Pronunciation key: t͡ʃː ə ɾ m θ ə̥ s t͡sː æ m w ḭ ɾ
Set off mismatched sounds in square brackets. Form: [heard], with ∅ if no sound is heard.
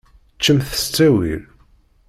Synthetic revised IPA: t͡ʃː ə [∅] m θ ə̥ s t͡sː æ [∅] w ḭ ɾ